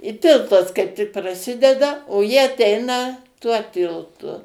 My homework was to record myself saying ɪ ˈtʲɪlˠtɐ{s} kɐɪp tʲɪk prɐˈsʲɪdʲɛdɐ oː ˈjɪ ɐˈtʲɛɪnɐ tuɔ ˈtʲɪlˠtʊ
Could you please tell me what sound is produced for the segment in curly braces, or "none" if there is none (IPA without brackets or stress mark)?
s